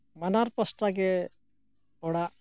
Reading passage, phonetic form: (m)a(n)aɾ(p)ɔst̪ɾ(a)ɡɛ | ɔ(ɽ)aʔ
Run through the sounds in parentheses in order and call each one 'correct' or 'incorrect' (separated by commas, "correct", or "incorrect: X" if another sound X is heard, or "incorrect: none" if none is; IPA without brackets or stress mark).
correct, correct, correct, correct, correct